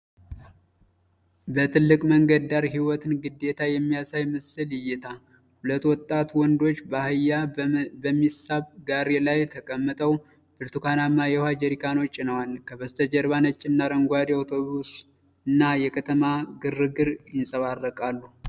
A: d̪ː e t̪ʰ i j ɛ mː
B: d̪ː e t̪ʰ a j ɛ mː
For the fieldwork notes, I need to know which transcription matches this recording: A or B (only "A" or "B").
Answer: B